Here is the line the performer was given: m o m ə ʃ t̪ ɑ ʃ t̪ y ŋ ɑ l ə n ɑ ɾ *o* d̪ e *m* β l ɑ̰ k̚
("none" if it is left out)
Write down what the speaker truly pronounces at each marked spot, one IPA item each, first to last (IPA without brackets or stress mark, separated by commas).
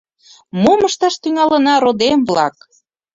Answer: o, m